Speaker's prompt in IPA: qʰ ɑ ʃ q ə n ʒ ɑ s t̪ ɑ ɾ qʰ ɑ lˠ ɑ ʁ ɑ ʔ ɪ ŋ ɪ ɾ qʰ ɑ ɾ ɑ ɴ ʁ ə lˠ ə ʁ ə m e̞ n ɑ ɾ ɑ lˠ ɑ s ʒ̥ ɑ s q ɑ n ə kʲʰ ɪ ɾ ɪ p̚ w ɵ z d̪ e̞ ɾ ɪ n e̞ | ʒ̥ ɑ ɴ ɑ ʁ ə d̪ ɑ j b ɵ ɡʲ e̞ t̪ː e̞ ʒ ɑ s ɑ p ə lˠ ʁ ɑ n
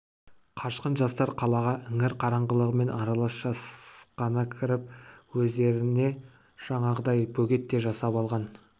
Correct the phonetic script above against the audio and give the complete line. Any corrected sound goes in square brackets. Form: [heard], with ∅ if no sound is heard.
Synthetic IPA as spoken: qʰ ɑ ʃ q ə n ʒ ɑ s t̪ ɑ ɾ qʰ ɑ lˠ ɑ ʁ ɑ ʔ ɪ ŋ ɪ ɾ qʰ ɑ ɾ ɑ ɴ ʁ ə lˠ ə ʁ ə m e̞ n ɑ ɾ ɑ lˠ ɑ s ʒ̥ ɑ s q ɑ n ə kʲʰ ɪ ɾ ɪ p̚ w ɵ z d̪ e̞ ɾ ɪ n e̞ | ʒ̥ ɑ ɴ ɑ ʁ ə d̪ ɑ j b ɵ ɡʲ e̞ t̪ː e̞ ʒ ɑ s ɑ p [ɑ] lˠ ʁ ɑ n

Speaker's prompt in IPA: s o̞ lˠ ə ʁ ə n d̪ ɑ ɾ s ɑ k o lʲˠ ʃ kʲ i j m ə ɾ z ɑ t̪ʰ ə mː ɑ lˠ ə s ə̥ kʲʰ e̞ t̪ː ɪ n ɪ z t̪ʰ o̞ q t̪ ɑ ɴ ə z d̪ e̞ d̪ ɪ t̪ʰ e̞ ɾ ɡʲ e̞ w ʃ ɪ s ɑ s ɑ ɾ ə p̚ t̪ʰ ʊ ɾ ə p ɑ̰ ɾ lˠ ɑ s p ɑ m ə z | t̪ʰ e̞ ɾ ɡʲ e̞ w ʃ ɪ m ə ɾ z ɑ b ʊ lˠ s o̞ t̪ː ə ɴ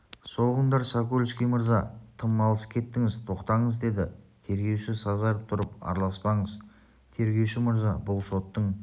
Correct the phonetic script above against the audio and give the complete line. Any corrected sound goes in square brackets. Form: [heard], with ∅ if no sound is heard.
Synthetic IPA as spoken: s o̞ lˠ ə ʁ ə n d̪ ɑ ɾ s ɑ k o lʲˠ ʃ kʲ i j m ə ɾ z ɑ t̪ʰ ə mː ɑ lˠ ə s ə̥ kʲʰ e̞ t̪ː ɪ [ŋ] ɪ z t̪ʰ o̞ q t̪ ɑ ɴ ə z d̪ e̞ d̪ ɪ t̪ʰ e̞ ɾ ɡʲ e̞ w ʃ ɪ s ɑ [z] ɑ ɾ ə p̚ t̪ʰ ʊ ɾ ə p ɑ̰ ɾ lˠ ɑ s p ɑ [ɴ] ə z | t̪ʰ e̞ ɾ ɡʲ e̞ w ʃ ɪ m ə ɾ z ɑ b ʊ lˠ s o̞ t̪ː ə ɴ

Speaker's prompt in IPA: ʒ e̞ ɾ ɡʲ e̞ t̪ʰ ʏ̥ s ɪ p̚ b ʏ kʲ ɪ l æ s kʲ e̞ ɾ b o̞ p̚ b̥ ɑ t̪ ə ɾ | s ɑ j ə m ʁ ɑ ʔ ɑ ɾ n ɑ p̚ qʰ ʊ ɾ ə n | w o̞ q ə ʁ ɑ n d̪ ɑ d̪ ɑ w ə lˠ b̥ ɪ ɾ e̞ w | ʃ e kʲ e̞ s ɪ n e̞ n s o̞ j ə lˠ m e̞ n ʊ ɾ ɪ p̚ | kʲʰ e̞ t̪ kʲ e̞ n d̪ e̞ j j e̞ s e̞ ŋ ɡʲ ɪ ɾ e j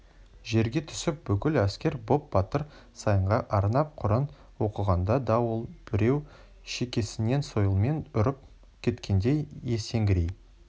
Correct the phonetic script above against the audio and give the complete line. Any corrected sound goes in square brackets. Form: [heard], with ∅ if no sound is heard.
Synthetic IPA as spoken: ʒ e̞ ɾ ɡʲ e̞ t̪ʰ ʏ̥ s ɪ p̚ b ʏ kʲ ɪ l æ s kʲ e̞ ɾ b o̞ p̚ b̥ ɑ t̪ ə ɾ | s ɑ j ə [ɴ] ʁ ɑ ʔ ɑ ɾ n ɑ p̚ qʰ ʊ ɾ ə n | w o̞ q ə ʁ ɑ n d̪ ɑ d̪ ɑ w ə lˠ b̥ ɪ ɾ e̞ w | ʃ e kʲ e̞ s ɪ n e̞ n s o̞ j ə lˠ m e̞ n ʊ ɾ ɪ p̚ | kʲʰ e̞ t̪ kʲ e̞ n d̪ e̞ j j e̞ s e̞ ŋ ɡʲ ɪ ɾ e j

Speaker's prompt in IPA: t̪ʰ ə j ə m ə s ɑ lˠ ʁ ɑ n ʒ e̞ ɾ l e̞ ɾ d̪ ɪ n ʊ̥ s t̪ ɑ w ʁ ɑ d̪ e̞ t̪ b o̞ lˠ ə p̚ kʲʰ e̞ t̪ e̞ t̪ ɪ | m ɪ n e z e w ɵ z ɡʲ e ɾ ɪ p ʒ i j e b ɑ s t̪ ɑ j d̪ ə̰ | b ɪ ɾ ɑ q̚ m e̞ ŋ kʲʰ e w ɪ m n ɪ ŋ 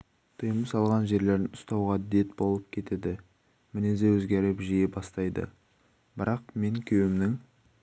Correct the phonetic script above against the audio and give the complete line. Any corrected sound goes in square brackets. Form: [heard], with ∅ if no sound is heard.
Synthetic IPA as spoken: t̪ʰ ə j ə m ə s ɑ lˠ ʁ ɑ n ʒ e̞ ɾ l e̞ ɾ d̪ ɪ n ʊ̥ s t̪ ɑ w ʁ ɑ d̪ e̞ t̪ b o̞ lˠ ə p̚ kʲʰ e̞ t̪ e̞ [d̪] ɪ | m ɪ n e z e w ɵ z ɡʲ e ɾ ɪ p ʒ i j e b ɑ s t̪ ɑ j d̪ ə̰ | b ɪ ɾ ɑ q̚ m e̞ ŋ kʲʰ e w ɪ m n ɪ ŋ

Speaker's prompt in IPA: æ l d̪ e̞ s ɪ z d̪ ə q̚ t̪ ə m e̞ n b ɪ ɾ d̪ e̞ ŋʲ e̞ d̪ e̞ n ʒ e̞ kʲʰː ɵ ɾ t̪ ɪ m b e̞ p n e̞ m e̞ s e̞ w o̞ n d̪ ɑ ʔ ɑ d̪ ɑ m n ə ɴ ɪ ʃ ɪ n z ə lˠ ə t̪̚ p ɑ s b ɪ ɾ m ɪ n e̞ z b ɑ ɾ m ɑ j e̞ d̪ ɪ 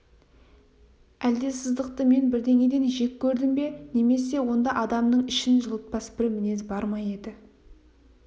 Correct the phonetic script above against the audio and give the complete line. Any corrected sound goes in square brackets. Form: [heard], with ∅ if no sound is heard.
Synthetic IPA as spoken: æ l d̪ e̞ s ɪ z d̪ ə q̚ t̪ ə m e̞ n b ɪ ɾ d̪ e̞ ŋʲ e̞ d̪ e̞ n ʒ e̞ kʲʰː ɵ ɾ [d̪] ɪ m b e̞ [∅] n e̞ m e̞ s e̞ w o̞ n d̪ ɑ ʔ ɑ d̪ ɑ m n ə ɴ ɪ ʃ ɪ n [ʒ] ə lˠ ə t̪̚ p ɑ s b ɪ ɾ m ɪ n e̞ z b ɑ ɾ m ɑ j e̞ d̪ ɪ

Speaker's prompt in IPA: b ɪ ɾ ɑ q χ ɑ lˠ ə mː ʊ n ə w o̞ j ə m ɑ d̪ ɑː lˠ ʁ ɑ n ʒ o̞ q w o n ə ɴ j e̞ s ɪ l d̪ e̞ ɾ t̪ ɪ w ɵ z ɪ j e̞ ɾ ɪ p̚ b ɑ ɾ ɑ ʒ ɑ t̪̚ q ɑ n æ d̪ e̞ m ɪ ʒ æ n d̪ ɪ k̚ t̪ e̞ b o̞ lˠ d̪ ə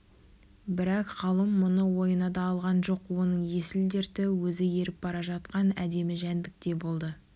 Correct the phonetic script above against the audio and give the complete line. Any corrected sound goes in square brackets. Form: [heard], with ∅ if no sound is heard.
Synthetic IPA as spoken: b ɪ ɾ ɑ q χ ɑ lˠ ə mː ʊ n ə w o̞ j ə [n] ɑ d̪ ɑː lˠ ʁ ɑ n ʒ o̞ q w o n ə ɴ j e̞ s ɪ l d̪ e̞ ɾ t̪ ɪ w ɵ z ɪ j e̞ ɾ ɪ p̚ b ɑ ɾ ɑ ʒ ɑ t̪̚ q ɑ n æ d̪ e̞ m ɪ ʒ æ n d̪ ɪ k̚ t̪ e̞ b o̞ lˠ d̪ ə

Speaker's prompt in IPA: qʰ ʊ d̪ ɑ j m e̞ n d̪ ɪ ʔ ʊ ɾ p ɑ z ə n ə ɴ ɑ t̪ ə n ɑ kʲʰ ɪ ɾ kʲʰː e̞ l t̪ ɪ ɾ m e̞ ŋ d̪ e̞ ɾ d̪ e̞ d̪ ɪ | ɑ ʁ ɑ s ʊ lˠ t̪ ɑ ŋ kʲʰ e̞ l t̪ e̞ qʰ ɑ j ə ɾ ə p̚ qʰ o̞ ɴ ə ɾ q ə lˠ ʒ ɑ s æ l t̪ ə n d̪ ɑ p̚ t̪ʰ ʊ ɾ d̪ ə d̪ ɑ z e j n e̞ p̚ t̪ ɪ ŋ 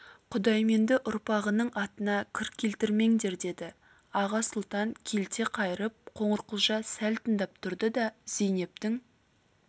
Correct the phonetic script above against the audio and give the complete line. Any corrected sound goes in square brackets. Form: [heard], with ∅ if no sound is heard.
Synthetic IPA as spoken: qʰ ʊ d̪ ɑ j m e̞ n d̪ ɪ ʔ ʊ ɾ p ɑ [ʁ] ə n ə ɴ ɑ t̪ ə n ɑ kʲʰ ɪ ɾ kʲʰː e̞ l t̪ ɪ ɾ m e̞ ŋ d̪ e̞ ɾ d̪ e̞ d̪ ɪ | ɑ ʁ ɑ s ʊ lˠ t̪ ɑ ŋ kʲʰ e̞ l t̪ e̞ qʰ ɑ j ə ɾ ə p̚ qʰ o̞ ɴ ə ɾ q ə lˠ ʒ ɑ s æ l t̪ ə n d̪ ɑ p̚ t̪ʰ ʊ ɾ d̪ ə d̪ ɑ z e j n e̞ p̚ t̪ ɪ ŋ

